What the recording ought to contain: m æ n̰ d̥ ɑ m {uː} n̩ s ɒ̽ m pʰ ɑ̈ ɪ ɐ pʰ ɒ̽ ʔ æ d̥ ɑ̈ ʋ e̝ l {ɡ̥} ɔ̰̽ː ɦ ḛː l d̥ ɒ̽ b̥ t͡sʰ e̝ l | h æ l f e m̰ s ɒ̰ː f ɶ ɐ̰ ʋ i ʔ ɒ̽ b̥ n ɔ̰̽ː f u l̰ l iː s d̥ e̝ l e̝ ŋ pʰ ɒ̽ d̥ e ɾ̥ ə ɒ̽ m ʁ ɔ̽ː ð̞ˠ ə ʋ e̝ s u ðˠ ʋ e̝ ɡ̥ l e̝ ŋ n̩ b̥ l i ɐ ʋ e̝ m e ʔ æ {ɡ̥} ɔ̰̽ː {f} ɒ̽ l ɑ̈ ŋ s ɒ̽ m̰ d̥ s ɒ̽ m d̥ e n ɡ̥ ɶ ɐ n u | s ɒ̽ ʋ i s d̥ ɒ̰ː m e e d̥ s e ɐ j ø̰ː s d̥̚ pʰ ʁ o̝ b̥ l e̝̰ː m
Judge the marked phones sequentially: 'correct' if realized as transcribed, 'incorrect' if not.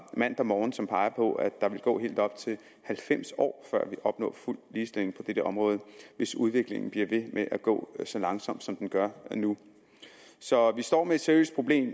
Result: incorrect, correct, correct, incorrect

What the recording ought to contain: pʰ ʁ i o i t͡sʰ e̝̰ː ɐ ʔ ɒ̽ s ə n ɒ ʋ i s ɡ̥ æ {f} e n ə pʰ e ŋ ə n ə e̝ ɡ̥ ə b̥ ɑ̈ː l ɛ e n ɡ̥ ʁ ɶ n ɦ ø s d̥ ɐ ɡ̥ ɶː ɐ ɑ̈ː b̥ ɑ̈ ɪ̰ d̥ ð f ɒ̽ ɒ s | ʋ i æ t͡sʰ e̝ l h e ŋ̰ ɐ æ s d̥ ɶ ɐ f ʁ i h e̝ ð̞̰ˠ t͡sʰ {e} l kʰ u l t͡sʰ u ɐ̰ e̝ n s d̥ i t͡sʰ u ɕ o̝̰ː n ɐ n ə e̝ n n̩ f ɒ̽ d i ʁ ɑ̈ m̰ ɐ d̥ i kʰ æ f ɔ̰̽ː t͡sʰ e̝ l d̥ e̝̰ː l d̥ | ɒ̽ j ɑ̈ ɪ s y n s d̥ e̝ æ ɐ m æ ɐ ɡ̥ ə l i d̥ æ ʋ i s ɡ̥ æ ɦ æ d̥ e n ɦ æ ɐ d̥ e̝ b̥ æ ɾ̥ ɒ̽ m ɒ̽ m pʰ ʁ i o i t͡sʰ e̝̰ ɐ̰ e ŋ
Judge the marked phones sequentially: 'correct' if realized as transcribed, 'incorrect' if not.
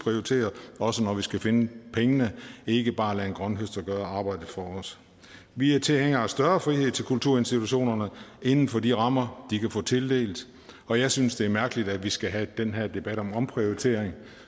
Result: correct, correct

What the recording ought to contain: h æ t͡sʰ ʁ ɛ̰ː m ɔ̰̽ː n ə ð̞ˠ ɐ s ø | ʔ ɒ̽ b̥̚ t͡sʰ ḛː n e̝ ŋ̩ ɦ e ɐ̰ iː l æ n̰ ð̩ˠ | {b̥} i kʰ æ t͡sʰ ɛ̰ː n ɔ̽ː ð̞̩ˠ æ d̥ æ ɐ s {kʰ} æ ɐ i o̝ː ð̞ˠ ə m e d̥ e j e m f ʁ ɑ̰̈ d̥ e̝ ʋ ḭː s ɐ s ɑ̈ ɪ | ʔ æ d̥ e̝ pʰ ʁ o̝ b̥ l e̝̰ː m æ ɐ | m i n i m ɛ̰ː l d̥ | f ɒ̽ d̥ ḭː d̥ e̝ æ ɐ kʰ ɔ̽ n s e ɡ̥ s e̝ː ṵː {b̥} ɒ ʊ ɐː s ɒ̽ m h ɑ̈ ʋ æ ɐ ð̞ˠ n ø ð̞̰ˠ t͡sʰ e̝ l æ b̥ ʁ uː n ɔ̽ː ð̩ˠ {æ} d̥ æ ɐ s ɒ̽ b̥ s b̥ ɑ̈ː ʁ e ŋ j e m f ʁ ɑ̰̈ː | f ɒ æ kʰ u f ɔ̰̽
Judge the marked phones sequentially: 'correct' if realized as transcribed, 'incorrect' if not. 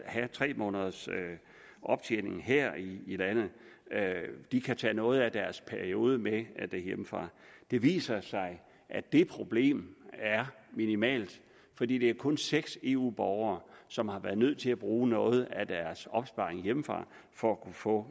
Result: incorrect, incorrect, correct, correct

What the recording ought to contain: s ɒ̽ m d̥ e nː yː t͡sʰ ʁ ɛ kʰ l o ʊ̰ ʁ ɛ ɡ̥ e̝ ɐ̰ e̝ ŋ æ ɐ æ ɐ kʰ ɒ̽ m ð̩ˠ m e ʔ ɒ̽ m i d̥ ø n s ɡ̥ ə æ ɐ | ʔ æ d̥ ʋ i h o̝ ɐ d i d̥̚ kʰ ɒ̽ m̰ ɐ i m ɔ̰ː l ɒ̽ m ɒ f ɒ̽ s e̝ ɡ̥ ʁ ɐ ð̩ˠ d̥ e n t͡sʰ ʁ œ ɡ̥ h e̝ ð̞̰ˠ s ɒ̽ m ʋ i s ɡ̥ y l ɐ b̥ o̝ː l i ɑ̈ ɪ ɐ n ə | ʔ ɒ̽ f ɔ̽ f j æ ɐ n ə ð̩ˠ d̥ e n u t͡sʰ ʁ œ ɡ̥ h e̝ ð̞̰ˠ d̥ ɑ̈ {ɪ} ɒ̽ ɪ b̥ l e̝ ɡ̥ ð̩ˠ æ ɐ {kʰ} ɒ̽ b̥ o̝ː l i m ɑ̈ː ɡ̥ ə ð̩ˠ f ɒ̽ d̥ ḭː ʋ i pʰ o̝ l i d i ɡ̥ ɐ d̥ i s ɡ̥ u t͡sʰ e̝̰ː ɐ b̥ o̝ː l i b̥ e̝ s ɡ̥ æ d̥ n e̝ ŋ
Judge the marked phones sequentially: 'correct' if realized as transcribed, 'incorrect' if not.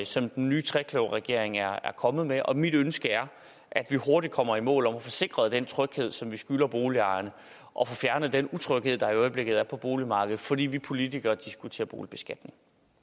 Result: incorrect, incorrect

